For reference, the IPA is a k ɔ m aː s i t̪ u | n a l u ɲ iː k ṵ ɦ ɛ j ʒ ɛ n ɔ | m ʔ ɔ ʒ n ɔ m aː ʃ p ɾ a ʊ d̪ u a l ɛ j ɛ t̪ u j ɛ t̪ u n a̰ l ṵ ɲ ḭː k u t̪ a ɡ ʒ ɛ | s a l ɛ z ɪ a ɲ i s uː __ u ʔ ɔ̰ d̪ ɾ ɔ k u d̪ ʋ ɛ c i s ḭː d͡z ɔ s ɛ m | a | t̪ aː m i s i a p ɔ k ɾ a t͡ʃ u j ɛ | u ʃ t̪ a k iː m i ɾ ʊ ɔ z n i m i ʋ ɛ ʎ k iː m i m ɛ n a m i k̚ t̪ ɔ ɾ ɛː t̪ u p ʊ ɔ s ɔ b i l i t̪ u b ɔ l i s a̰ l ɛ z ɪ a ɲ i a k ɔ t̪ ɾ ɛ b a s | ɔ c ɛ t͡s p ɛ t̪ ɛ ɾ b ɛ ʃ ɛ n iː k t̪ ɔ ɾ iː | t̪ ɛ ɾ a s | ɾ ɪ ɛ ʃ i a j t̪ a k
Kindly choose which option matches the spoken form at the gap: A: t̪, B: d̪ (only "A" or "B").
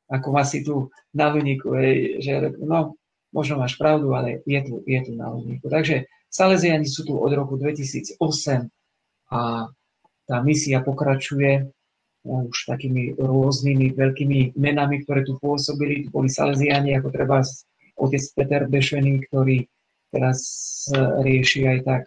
A